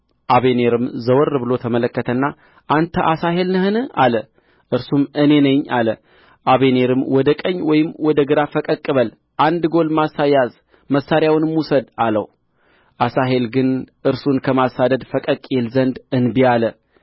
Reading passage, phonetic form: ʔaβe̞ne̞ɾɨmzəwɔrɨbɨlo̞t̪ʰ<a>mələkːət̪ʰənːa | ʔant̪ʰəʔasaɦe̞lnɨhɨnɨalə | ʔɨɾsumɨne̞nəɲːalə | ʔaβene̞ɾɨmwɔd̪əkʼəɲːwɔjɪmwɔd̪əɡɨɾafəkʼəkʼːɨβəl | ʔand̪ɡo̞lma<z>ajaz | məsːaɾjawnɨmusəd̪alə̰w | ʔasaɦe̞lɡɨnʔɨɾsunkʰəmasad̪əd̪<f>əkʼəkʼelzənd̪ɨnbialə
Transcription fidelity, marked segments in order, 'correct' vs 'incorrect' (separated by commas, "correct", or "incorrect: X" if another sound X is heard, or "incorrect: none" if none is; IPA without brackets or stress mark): incorrect: ə, incorrect: s, correct